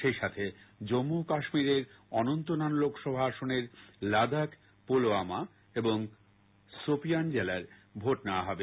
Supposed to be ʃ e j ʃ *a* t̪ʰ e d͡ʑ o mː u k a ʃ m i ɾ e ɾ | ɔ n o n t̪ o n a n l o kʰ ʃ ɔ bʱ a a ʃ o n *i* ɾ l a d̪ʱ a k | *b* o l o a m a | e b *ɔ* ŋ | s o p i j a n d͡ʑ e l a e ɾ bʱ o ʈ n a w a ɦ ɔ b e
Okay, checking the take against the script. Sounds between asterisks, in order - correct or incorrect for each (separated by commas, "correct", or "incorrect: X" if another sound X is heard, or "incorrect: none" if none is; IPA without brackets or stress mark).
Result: correct, incorrect: e, incorrect: p, incorrect: o